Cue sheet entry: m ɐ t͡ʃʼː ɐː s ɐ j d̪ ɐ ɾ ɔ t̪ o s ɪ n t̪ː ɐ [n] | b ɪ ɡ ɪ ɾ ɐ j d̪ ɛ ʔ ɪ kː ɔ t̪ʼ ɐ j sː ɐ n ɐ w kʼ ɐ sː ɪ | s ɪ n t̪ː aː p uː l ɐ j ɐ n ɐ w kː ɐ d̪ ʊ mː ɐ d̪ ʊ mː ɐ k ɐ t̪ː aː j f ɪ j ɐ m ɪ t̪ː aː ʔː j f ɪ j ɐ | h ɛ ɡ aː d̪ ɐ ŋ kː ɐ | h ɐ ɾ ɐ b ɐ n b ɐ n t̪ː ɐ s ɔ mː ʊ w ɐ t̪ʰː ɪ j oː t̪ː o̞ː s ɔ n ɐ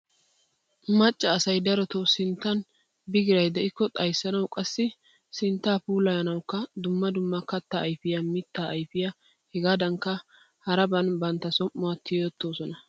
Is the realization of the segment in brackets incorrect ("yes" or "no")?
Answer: no